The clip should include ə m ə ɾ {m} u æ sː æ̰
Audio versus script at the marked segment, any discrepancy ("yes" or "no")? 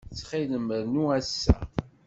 yes